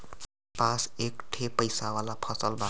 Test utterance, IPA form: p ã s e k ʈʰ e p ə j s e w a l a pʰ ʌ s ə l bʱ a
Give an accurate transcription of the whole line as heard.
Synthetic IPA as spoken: p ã s e k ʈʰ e p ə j s a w a l a pʰ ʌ s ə l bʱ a